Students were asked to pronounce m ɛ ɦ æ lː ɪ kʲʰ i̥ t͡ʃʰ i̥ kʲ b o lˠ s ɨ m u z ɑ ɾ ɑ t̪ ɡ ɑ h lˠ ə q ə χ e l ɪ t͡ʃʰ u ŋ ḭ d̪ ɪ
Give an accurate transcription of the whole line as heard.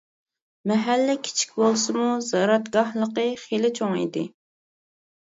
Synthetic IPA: m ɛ ɦ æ lː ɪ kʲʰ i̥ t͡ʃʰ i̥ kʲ b o lˠ s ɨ m u z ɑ ɾ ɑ t̪ ɡ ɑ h lˠ ə q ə χ e l ɪ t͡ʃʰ o ŋ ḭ d̪ ɪ